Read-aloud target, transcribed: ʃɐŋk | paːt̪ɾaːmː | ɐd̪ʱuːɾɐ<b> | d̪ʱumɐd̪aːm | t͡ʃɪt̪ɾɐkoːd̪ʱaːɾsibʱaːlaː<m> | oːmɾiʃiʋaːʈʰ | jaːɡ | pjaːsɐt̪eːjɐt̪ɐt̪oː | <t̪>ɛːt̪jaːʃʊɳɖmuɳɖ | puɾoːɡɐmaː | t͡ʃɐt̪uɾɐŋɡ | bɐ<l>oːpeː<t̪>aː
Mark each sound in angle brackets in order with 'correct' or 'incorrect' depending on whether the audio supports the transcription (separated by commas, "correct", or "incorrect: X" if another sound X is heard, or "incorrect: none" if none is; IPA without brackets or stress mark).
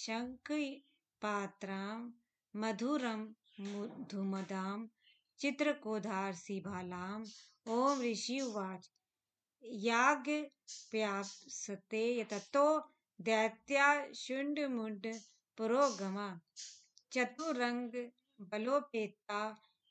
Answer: incorrect: m, correct, incorrect: d̪, correct, correct